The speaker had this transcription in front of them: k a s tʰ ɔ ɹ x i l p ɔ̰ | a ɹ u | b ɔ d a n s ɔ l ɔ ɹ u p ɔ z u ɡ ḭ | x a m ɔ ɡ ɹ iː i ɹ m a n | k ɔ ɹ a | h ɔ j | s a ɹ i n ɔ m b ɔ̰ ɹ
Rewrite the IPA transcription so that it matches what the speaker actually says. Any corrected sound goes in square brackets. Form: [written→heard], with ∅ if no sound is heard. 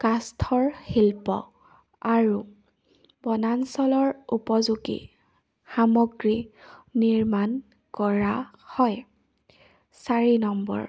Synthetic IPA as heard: k a s tʰ ɔ ɹ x i l p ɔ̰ | a ɹ u | b ɔ [d→n] a n s ɔ l ɔ ɹ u p ɔ z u ɡ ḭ | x a m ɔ ɡ ɹ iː i ɹ m a n | k ɔ ɹ a | h ɔ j | s a ɹ i n ɔ m b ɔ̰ ɹ